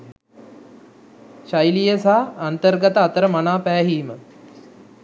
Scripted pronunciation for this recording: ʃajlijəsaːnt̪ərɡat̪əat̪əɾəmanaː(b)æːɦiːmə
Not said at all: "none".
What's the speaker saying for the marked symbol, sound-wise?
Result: p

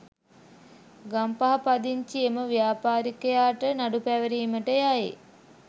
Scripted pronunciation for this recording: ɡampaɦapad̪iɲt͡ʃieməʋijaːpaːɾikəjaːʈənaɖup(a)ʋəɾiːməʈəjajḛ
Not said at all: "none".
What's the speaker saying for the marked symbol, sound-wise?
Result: æ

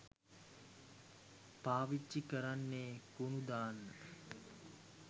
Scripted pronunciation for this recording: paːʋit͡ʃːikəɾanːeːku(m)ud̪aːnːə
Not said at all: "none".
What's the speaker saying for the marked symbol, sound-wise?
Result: n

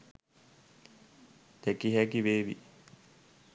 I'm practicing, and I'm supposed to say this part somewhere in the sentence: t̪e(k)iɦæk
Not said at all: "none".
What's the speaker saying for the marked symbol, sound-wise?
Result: k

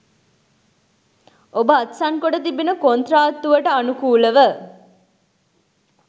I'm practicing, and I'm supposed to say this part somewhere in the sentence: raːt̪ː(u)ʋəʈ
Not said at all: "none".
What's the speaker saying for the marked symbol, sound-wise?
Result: u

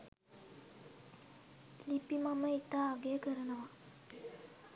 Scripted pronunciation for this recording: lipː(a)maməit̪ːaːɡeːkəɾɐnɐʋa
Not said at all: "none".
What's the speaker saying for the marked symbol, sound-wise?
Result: i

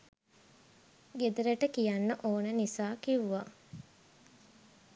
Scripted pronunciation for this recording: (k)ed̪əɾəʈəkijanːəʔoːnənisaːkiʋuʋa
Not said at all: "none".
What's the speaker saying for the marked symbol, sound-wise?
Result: ɡ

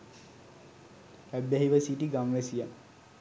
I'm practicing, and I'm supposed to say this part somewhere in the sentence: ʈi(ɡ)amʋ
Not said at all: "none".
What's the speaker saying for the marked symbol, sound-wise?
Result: ɡ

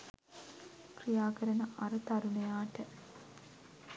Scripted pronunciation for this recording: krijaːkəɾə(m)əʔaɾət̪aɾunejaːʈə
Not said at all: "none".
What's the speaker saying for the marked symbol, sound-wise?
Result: n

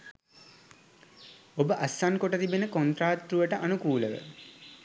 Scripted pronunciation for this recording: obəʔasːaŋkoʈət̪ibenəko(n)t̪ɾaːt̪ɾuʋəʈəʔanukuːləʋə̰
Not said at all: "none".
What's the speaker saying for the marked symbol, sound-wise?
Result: n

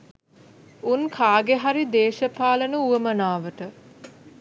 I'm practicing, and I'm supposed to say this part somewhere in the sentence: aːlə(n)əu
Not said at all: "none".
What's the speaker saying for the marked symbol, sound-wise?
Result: n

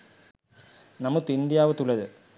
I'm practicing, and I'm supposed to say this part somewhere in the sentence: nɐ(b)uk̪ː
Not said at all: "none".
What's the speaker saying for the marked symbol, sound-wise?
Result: m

